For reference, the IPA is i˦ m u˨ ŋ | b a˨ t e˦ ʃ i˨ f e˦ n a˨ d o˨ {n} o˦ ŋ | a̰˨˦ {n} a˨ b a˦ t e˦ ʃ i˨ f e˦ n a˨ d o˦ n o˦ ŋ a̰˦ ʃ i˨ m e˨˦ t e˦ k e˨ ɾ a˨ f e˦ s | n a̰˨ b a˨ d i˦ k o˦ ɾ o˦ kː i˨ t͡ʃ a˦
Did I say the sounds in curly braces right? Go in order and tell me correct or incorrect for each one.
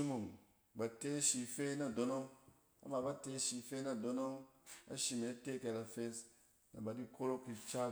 correct, incorrect

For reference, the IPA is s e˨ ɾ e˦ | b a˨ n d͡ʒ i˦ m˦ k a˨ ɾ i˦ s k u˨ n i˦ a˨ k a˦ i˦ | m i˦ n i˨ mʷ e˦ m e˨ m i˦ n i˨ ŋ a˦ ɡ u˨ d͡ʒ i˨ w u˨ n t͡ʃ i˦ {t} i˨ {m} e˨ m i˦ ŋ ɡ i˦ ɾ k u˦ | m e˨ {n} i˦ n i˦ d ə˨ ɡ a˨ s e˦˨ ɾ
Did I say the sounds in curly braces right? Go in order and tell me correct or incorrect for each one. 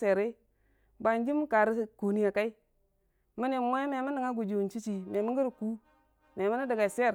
incorrect, correct, incorrect

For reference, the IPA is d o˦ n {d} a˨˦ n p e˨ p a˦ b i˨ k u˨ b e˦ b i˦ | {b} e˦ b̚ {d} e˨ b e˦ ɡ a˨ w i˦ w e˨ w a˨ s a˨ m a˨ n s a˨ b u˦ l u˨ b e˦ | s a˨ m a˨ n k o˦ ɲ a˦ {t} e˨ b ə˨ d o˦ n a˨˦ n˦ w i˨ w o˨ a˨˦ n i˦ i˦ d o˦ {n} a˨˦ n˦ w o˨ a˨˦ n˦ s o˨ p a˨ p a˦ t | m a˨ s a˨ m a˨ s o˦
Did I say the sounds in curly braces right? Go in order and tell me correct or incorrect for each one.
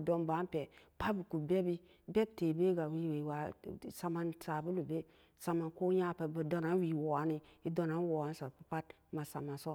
incorrect, correct, incorrect, incorrect, correct

